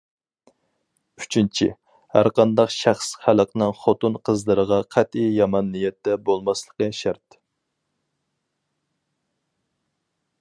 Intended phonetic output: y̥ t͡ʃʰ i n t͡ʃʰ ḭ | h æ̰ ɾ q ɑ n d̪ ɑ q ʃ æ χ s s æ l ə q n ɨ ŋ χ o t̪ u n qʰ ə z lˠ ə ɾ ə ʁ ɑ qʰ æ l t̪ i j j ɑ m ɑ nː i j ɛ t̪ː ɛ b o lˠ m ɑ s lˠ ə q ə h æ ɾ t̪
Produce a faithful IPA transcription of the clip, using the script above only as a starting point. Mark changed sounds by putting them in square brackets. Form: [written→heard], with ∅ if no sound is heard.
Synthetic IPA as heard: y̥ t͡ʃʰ i n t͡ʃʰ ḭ | h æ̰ ɾ q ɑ n d̪ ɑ q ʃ æ χ s [s→χ] æ l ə q n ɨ ŋ χ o t̪ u n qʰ ə z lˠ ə ɾ ə ʁ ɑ qʰ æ [l→∅] t̪ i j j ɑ m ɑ nː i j ɛ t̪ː ɛ b o lˠ m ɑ s lˠ ə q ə [h→ʃ] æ ɾ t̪